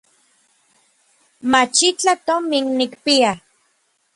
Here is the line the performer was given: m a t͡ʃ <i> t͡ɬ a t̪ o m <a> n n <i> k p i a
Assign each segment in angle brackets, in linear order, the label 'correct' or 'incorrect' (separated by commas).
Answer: correct, incorrect, correct